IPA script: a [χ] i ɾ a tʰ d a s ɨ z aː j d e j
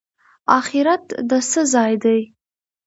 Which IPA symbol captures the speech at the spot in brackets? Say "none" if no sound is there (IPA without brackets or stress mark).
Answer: χ